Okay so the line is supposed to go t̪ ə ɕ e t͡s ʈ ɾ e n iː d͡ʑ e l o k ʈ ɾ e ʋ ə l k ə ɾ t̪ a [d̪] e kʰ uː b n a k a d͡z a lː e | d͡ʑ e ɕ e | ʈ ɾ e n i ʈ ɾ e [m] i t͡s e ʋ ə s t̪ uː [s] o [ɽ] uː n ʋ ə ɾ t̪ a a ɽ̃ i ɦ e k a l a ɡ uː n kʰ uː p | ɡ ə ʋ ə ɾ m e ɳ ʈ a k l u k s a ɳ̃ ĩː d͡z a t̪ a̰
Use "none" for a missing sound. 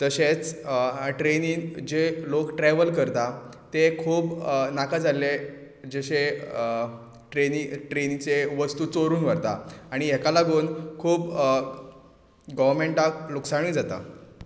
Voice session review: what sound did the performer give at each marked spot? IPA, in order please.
t̪, n, t͡s, ɾ

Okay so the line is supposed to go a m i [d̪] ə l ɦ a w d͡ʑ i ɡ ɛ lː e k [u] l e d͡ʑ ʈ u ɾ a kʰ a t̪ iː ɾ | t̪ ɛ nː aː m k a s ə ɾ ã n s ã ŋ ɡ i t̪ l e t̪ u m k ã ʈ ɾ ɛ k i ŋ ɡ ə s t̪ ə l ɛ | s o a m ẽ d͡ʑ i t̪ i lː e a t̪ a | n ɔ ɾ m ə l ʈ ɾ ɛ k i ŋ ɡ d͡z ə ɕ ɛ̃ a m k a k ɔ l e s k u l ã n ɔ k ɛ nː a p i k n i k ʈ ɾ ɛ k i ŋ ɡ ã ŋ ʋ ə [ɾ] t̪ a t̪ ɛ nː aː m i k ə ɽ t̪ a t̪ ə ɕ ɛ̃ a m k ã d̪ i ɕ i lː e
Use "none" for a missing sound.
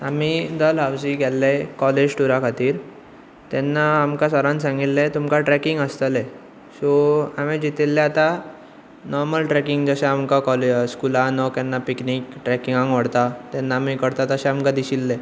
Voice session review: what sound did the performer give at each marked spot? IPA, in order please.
d̪, ɔ, ɽ

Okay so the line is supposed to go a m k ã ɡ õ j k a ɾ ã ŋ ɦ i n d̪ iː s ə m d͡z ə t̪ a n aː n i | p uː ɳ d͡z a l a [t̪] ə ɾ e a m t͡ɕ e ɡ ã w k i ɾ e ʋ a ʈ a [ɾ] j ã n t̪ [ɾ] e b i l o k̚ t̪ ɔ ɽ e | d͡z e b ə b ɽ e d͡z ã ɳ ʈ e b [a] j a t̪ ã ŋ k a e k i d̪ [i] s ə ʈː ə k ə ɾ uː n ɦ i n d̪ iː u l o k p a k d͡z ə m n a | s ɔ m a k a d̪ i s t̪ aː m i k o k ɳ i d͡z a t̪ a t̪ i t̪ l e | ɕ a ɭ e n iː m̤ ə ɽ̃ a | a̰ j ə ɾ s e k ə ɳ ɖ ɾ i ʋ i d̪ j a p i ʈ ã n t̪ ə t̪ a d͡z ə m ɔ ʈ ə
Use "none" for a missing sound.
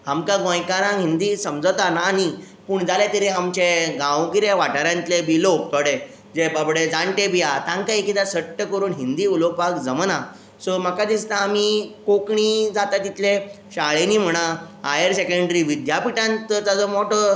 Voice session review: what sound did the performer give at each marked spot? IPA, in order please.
t̪, ɾ, l, i, a

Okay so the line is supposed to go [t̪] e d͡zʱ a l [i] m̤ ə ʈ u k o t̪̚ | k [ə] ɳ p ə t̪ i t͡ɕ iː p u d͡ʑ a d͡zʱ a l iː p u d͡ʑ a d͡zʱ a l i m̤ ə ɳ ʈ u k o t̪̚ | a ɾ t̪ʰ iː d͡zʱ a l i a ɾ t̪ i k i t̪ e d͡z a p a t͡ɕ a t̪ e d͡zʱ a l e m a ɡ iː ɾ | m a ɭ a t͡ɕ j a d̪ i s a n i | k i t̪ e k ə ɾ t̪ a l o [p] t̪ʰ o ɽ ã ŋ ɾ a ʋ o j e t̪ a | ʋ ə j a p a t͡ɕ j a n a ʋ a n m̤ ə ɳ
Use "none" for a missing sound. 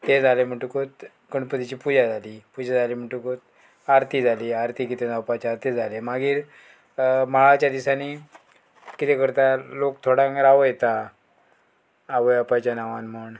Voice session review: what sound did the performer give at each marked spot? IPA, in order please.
t̪, e, ə, k

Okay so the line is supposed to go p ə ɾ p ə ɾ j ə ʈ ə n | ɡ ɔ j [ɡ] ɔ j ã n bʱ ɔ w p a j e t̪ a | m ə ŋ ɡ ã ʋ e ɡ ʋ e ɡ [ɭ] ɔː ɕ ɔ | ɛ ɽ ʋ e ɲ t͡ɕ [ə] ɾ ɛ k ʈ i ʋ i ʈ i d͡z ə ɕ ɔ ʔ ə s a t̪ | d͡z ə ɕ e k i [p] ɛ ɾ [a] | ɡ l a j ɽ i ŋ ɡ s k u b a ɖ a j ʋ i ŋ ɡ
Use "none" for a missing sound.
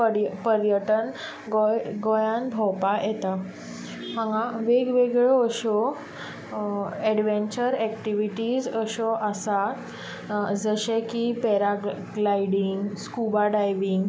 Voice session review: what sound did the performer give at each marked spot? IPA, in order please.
ɡ, ɭ, ə, p, a

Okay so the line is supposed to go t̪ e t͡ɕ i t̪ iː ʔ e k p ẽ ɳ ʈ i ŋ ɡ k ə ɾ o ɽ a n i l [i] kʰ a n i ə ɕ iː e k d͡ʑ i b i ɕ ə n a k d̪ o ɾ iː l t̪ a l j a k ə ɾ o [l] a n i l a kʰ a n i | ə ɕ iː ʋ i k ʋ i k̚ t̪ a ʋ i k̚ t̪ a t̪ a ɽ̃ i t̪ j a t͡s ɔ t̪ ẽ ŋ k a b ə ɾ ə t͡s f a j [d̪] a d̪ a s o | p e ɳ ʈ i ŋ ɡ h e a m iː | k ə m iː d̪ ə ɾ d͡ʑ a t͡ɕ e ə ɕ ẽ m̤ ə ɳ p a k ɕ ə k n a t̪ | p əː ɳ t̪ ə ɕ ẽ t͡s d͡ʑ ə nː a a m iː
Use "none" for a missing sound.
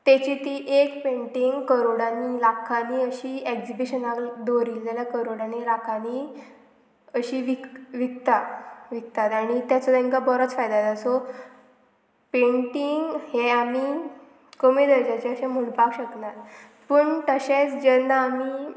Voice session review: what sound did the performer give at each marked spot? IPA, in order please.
a, ɽ, d̪

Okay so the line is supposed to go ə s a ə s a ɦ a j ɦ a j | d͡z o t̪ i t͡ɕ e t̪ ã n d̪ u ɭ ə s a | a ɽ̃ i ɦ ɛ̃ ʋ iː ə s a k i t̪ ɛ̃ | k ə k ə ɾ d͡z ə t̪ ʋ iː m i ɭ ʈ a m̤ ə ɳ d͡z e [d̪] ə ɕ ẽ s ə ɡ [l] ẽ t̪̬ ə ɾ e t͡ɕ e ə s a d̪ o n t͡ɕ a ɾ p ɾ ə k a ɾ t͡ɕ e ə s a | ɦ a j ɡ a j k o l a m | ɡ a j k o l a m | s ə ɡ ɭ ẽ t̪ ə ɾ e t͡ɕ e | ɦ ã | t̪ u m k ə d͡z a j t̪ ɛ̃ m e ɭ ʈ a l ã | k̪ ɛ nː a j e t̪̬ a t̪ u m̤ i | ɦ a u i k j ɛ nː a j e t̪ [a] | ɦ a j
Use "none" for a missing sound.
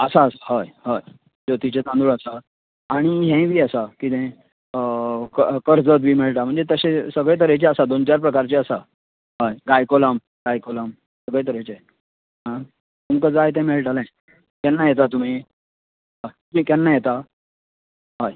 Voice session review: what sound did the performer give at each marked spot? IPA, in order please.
t̪, ɭ, a

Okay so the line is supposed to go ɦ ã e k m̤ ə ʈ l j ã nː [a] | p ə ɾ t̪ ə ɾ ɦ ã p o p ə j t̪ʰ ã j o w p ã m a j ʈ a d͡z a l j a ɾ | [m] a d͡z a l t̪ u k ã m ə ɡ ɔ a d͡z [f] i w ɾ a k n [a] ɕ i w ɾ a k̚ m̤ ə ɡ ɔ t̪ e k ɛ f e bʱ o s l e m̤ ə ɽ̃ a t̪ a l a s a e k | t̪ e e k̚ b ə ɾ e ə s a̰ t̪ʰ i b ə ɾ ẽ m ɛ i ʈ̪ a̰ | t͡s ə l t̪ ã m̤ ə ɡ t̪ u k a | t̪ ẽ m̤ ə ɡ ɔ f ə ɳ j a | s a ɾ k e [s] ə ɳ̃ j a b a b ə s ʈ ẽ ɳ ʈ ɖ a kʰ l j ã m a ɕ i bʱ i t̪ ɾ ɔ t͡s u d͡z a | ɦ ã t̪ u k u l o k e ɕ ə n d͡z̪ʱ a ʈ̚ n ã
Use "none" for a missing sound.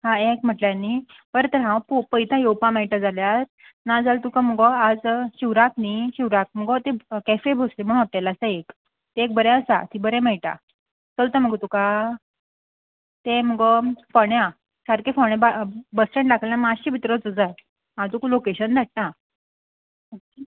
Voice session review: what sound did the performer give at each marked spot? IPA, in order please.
i, n, ɕ, i, f

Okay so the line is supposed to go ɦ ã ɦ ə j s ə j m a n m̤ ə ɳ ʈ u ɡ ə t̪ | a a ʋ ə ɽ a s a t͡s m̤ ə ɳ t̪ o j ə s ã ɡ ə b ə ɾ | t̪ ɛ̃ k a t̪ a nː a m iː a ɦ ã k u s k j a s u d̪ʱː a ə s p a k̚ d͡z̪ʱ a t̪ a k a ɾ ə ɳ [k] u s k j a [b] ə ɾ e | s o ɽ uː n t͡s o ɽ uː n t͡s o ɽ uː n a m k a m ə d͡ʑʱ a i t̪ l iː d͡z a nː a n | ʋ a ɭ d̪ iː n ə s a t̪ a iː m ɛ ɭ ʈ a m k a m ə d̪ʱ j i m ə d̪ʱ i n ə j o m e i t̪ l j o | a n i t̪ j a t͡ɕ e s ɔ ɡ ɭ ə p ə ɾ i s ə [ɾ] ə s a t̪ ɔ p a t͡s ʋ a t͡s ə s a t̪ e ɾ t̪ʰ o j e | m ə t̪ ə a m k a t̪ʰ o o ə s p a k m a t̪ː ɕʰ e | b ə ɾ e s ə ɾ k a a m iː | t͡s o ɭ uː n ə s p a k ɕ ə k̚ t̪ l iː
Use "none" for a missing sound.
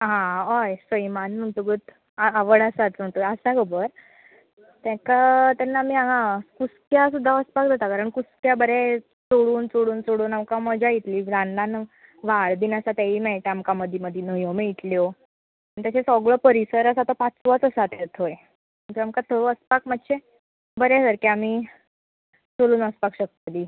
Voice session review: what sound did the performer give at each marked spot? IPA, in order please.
k, b, ɾ

